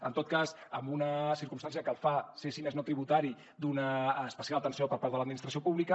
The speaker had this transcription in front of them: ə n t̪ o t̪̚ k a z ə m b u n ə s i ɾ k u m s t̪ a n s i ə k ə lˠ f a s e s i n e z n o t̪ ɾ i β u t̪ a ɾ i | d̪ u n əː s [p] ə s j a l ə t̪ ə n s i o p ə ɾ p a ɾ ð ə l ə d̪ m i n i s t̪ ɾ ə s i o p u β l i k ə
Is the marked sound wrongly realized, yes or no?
no